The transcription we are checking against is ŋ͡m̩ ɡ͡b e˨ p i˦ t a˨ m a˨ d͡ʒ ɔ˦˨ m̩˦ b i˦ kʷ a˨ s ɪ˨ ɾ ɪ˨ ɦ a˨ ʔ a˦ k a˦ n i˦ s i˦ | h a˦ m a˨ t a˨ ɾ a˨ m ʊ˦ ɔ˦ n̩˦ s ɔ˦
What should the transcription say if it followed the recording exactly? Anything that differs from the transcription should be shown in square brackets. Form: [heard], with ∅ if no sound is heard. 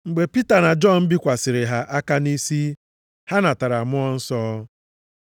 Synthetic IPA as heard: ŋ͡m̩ ɡ͡b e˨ p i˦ t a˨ [n] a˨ d͡ʒ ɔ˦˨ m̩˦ b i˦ kʷ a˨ s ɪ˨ ɾ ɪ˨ ɦ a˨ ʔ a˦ k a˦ n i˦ s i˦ | h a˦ [n] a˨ t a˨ ɾ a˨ m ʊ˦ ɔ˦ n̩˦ s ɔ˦